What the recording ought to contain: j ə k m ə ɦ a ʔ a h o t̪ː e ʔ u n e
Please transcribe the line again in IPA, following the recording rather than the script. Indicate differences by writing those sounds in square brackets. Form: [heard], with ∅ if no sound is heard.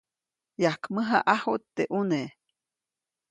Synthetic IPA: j [a] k m ə ɦ a ʔ a h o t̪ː e ʔ u n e